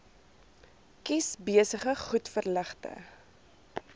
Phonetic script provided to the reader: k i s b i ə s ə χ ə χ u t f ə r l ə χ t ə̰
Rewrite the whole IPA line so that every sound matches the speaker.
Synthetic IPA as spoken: k i s b i ə s ə χ ə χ u t f ə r l ə χ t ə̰